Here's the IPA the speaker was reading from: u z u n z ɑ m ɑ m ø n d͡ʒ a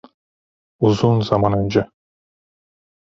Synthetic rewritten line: u z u n z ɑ m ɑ n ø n d͡ʒ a